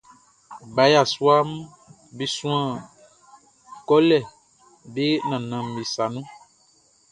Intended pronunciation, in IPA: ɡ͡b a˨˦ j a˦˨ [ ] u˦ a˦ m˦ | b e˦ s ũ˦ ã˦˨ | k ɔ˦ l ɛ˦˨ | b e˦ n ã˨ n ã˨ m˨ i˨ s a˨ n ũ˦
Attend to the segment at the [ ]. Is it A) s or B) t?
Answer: A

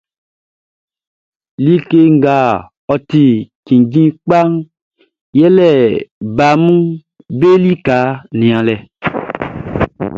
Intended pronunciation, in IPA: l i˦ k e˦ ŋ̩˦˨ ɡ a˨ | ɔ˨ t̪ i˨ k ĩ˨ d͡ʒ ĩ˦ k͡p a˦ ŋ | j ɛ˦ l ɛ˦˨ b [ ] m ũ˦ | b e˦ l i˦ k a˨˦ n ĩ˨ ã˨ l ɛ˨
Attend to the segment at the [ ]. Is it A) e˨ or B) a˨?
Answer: B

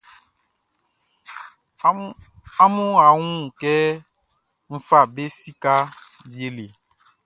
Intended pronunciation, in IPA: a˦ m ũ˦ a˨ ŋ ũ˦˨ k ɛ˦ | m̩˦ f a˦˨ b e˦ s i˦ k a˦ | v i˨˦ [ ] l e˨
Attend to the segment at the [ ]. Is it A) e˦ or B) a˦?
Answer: A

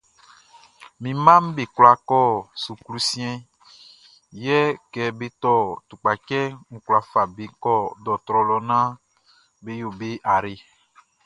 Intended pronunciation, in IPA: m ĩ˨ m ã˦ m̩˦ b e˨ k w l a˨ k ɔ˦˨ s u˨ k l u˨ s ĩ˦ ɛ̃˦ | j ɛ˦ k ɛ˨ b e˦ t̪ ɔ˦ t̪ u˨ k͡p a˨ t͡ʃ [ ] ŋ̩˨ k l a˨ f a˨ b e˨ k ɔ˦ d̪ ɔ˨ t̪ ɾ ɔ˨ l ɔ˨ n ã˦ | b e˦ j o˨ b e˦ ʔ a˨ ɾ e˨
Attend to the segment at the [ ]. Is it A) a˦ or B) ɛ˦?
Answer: B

